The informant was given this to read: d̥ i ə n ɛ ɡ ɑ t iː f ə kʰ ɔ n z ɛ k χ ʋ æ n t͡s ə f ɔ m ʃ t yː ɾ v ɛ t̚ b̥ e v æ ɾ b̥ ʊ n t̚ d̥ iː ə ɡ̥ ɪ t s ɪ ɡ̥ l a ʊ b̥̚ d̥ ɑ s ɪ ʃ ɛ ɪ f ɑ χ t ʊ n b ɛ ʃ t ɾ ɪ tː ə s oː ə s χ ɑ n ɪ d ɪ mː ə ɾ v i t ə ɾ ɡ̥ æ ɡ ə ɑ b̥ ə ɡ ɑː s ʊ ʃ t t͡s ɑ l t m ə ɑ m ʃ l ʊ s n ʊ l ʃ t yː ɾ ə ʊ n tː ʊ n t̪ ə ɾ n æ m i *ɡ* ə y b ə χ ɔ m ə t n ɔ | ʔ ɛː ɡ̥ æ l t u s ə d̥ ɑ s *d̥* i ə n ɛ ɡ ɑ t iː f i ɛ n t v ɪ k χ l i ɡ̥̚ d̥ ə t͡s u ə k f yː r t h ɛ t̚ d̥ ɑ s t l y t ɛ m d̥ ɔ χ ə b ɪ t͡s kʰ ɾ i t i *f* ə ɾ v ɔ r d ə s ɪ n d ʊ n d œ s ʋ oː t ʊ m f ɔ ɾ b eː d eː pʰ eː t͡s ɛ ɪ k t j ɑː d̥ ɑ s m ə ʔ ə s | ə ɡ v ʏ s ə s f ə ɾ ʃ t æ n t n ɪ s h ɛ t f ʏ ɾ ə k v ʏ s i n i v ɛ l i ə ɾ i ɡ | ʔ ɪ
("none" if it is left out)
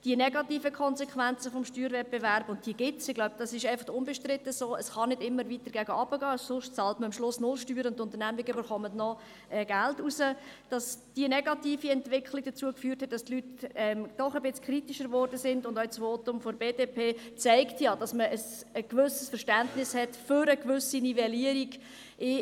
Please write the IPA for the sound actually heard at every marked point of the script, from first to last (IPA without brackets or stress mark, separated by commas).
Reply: ɡ, d̥, ʃ